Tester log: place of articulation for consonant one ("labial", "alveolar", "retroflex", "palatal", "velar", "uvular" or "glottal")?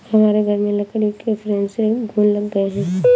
glottal